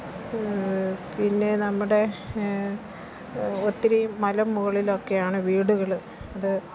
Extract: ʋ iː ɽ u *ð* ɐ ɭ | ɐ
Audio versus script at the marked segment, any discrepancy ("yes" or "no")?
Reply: yes